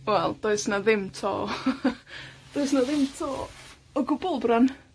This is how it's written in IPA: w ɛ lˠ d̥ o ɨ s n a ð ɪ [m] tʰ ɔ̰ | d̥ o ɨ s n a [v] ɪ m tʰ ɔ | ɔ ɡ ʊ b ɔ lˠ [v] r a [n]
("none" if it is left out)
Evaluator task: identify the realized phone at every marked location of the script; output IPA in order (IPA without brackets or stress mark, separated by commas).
m, ð, b, n